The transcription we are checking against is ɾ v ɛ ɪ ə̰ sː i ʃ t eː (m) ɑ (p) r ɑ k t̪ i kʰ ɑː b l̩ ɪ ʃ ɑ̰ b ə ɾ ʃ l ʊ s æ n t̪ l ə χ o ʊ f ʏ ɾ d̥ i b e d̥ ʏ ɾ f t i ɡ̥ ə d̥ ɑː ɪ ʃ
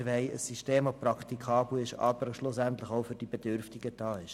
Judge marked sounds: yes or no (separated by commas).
yes, yes